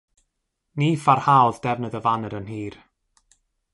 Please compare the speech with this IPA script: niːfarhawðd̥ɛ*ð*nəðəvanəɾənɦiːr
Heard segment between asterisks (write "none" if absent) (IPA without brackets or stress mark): v